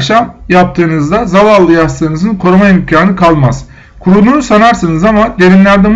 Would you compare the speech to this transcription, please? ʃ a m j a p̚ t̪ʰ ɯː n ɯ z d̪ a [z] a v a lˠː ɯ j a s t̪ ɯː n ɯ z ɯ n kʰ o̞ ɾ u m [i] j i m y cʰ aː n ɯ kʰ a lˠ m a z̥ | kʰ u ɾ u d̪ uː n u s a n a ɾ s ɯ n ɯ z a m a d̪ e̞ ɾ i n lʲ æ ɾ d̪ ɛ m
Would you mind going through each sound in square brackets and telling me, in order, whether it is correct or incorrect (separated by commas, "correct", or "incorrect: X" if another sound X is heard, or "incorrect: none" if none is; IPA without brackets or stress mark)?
correct, incorrect: a